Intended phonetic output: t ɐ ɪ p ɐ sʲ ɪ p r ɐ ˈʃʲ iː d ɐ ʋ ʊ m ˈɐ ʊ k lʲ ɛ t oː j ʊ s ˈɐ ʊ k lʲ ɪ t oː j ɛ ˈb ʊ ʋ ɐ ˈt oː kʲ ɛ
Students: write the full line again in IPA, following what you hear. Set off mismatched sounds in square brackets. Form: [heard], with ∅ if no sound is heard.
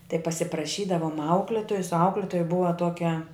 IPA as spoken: t ɐ ɪ p ɐ sʲ ɪ p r ɐ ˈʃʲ iː d ɐ ʋ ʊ m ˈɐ ʊ k lʲ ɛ t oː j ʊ s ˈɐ ʊ k lʲ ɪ t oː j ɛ ˈb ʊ ʋ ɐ ˈt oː kʲ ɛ